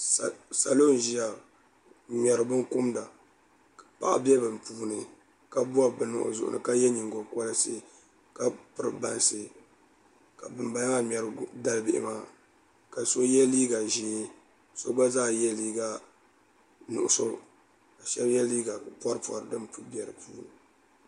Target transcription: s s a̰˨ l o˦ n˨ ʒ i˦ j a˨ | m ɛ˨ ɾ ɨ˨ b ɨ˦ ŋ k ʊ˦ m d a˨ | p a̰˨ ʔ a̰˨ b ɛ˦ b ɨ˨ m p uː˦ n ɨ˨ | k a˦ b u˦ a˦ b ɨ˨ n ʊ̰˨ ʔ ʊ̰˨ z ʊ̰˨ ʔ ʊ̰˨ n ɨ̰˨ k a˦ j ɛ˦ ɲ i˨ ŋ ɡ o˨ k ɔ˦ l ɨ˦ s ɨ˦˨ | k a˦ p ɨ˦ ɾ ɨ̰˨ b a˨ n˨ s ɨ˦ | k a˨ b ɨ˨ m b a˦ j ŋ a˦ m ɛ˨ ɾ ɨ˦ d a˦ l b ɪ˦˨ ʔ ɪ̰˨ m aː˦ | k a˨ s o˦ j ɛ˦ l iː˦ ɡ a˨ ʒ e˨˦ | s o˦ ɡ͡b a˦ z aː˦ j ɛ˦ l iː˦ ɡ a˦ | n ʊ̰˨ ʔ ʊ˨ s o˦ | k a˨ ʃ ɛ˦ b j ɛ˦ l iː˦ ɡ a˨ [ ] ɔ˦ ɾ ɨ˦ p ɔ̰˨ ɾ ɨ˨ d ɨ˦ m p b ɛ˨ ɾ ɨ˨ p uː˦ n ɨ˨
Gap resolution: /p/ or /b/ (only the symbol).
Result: p